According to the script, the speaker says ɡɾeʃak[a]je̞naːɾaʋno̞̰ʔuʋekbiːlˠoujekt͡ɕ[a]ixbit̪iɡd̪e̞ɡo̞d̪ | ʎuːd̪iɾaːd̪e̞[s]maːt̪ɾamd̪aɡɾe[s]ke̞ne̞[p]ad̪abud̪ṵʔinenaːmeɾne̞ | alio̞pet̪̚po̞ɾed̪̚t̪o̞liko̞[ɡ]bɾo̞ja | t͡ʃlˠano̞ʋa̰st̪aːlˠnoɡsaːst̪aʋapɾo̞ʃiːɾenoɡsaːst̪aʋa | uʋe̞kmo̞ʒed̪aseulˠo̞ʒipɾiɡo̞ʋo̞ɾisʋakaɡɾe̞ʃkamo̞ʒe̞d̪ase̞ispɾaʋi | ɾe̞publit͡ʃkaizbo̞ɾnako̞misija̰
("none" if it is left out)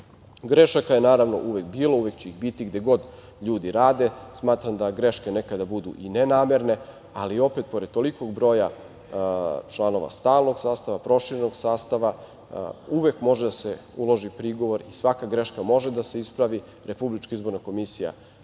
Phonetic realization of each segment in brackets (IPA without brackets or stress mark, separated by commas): a, e, s, ʃ, k, ɡ